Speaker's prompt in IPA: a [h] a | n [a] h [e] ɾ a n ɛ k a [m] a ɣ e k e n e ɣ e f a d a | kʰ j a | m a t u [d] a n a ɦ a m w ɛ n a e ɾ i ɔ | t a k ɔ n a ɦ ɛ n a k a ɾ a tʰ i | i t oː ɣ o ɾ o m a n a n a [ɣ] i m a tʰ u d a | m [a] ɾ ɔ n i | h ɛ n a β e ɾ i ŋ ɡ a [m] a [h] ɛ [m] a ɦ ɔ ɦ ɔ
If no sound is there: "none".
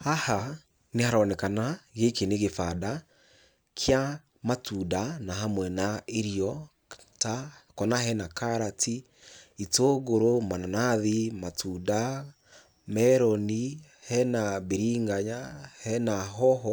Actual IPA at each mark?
h, e, a, n, d, ð, ɛ, ɲ, h, n

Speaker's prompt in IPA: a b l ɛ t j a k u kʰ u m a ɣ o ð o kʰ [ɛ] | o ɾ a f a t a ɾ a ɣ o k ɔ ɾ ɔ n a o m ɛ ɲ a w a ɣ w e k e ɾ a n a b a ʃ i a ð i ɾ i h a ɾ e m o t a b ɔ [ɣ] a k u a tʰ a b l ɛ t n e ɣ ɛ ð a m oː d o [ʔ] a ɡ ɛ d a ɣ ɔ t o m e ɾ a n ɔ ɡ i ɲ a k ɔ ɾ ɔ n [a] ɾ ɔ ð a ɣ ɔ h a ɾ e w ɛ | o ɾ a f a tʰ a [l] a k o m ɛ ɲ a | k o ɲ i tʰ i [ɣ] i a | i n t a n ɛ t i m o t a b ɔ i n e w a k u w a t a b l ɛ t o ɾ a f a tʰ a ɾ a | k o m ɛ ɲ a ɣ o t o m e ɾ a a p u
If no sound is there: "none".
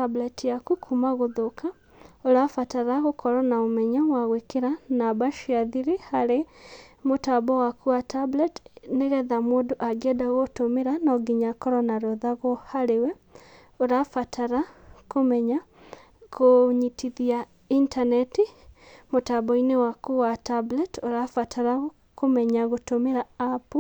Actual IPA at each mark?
a, w, ʔ, a, ɾ, ð

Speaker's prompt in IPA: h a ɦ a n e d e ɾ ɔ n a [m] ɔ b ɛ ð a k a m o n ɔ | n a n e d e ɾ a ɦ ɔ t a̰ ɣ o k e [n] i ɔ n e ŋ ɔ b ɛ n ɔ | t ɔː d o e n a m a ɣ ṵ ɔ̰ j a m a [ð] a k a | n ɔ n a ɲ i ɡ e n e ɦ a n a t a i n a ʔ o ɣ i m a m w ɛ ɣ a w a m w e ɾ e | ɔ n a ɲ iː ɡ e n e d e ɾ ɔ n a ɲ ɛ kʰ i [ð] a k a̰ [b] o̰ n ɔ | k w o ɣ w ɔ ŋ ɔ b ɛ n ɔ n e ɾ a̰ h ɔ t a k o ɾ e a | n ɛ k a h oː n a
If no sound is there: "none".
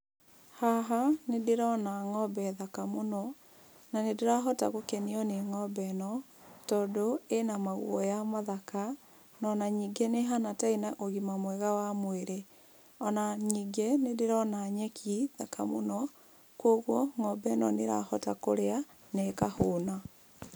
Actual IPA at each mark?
ŋ, n, ð, ð, m

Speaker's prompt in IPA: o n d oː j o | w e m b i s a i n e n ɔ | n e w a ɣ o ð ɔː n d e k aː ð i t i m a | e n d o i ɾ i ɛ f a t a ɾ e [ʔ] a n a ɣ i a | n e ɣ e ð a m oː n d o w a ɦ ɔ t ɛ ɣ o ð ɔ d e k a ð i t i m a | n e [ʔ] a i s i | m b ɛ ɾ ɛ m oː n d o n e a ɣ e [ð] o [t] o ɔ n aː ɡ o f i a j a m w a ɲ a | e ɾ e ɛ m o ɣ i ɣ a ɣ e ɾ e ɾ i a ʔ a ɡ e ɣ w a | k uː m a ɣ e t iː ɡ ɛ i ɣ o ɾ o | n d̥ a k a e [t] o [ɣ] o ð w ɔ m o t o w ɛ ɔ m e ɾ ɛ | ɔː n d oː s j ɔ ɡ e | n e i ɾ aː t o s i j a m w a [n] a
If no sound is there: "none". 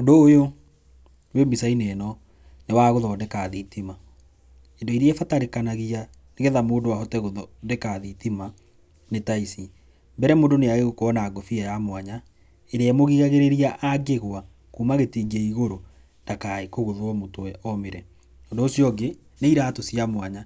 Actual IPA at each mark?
k, t, ɣ, k, k, ɣ, ɲ

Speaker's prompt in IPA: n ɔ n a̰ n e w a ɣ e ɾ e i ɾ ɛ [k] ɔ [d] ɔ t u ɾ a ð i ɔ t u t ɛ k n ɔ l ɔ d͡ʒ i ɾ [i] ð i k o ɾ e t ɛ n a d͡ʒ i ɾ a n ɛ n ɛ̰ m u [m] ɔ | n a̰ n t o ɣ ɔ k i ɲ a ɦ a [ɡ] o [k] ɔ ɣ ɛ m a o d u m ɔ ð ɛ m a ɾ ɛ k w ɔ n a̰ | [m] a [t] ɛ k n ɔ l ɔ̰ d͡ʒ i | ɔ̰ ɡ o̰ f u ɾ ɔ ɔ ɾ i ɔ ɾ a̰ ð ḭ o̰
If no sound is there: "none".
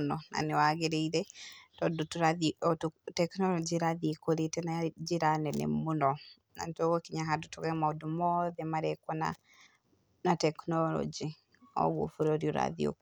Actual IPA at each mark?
t, d, a, n, d, t, n, t

